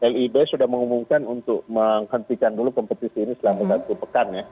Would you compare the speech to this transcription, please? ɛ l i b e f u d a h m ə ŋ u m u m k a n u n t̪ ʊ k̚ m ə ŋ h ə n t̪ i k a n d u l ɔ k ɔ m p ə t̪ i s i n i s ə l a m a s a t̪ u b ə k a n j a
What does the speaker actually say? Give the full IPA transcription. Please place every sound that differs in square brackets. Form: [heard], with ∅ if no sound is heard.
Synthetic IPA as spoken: ɛ l i b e [s] u d a h m ə ŋ u m u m k a n u n t̪ ʊ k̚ m ə ŋ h ə n t̪ i k a n d u l [u] k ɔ m p ə t̪ i s [iː] n i s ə l a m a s a t̪ u [p] ə k a n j a